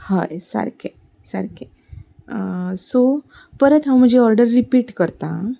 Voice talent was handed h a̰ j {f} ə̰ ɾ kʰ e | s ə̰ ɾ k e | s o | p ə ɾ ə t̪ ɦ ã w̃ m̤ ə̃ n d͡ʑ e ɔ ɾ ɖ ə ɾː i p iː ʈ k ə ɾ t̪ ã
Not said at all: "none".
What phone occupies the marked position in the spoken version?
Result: s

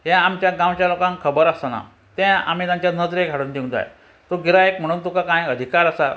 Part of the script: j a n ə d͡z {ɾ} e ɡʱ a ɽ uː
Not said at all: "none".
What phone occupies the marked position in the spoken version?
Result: ɾ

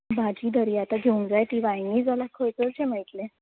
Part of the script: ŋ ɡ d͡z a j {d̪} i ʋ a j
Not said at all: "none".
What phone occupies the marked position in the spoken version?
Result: t̪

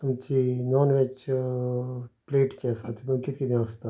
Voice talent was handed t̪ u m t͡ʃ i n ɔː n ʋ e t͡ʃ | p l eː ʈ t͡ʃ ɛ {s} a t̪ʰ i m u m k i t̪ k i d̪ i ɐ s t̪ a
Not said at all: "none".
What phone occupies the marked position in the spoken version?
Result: s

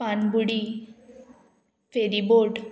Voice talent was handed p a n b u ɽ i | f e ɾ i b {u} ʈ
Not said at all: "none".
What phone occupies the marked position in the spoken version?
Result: o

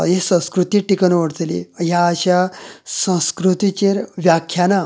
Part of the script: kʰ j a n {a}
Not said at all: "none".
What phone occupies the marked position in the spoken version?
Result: a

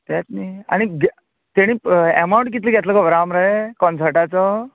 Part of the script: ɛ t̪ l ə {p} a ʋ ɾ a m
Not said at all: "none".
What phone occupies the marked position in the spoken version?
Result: k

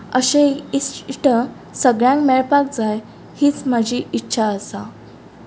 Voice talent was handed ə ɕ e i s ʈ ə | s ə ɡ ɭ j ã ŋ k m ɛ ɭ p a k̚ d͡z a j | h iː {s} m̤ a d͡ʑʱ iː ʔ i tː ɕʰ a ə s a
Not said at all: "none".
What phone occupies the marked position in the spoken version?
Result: t͡s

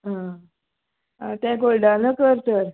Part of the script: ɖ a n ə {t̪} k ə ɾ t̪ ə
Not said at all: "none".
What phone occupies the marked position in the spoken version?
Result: none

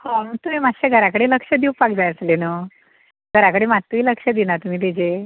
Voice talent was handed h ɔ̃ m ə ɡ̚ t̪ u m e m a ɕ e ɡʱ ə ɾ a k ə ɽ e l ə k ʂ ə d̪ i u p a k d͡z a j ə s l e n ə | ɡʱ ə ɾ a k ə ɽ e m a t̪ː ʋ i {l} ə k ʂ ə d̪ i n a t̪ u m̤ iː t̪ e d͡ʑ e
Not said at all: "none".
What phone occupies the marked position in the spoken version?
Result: l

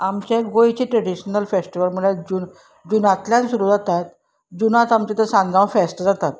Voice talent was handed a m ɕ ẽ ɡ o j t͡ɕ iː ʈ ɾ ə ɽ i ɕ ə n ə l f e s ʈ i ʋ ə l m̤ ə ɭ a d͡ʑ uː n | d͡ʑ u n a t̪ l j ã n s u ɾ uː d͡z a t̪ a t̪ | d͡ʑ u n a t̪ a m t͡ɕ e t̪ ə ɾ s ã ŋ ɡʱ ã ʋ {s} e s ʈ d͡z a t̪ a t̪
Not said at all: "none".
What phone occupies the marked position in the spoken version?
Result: f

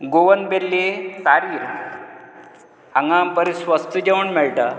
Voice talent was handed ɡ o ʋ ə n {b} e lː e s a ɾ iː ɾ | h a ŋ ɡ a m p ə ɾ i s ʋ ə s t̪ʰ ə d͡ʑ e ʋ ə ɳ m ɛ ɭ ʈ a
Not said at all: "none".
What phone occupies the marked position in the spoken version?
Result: b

